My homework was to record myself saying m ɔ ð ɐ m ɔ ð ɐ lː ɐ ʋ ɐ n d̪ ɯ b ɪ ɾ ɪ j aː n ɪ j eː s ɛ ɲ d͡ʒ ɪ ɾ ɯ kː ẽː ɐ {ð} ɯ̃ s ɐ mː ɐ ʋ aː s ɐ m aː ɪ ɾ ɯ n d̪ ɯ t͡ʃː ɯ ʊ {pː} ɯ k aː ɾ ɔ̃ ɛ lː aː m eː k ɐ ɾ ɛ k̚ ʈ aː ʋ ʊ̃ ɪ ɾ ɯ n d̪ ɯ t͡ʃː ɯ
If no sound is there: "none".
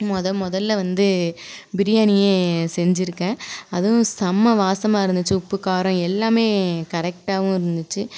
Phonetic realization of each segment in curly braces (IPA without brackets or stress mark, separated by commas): ð, pː